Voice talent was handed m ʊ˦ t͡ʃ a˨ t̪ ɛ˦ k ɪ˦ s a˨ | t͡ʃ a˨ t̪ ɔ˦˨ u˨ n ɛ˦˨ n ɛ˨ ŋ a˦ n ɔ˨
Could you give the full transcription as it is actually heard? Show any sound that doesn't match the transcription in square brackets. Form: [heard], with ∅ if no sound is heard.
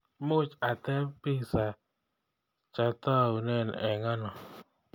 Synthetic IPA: m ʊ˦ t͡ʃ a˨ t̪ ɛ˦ [p] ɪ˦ s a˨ | t͡ʃ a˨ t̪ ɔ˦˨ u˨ n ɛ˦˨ n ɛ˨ ŋ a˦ n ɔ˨